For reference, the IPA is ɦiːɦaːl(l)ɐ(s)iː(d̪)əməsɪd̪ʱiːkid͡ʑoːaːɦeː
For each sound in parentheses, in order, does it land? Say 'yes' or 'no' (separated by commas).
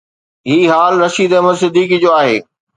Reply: no, no, yes